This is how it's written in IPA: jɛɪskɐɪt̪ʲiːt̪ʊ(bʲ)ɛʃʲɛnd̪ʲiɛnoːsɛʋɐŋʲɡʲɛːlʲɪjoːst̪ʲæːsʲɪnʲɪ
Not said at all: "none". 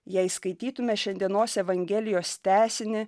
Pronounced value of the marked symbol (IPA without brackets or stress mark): mʲ